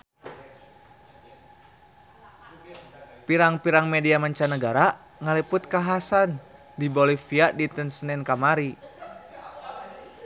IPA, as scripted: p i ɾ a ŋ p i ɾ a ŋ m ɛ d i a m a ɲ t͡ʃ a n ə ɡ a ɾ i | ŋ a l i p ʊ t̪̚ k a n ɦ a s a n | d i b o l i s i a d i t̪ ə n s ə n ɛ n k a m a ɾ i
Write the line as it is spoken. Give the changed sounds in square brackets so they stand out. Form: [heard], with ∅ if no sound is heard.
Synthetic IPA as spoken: p i ɾ a ŋ p i ɾ a ŋ m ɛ d i a m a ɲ t͡ʃ a n ə ɡ a ɾ [a] | ŋ a l i p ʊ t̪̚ k a [∅] ɦ a s a n | d i b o l i [f] i a d i t̪ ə n s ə n ɛ n k a m a ɾ i

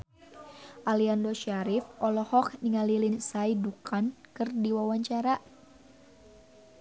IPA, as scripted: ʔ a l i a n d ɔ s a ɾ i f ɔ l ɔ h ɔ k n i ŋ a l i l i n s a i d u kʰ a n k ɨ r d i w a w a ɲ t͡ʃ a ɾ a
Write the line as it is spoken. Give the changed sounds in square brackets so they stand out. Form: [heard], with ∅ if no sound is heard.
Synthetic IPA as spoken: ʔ a l i a n d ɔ [ʃ] a ɾ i f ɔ l ɔ h ɔ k n i ŋ a l i l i n s a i d u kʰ a n k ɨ r d i w a w a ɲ t͡ʃ a ɾ a

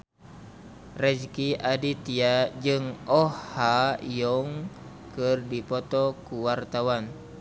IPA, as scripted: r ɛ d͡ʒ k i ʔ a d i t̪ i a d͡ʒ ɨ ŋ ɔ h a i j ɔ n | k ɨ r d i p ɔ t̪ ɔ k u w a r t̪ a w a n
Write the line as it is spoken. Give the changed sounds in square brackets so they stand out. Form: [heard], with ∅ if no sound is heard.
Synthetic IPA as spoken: r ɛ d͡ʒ k i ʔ a d i t̪ i a d͡ʒ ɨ ŋ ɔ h a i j ɔ [ŋ] | k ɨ r d i p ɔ t̪ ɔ k u w a r t̪ a w a n

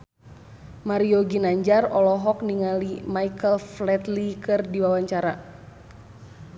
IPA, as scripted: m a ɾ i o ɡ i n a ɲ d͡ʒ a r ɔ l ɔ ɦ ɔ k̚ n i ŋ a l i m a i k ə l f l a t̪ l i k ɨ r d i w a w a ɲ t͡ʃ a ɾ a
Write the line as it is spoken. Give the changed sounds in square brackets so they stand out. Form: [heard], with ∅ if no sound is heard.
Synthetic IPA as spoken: m a ɾ i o ɡ i n a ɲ d͡ʒ a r ɔ l ɔ ɦ ɔ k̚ n i ŋ a l i m a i k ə l f l [ɛ] t̪ l i k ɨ r d i w a w a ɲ t͡ʃ a ɾ a

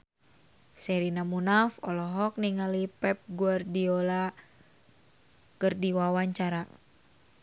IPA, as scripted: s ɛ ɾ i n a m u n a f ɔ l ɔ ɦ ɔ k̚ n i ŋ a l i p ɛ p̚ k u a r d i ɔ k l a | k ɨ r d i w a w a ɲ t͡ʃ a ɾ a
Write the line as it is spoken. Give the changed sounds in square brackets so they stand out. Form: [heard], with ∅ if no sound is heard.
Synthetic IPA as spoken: s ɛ ɾ i n a m u n a f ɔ l ɔ ɦ ɔ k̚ n i ŋ a l i p ɛ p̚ [ɡ] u a r d i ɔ [∅] l a | k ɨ r d i w a w a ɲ t͡ʃ a ɾ a

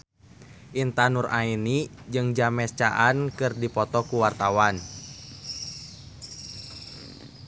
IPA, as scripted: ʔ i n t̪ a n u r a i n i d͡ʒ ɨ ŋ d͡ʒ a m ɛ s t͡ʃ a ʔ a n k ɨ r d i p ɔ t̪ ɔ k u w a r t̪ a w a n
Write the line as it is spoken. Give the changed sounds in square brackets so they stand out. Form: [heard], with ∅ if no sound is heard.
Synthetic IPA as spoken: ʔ i n t̪ a n u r a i n i d͡ʒ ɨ ŋ d͡ʒ a m ɛ s t͡ʃ a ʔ a n k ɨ r d i p ɔ t̪ ɔ k u w a r t̪ a w a n

